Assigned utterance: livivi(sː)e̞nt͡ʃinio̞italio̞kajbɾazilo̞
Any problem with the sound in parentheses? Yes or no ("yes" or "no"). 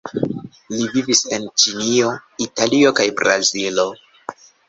yes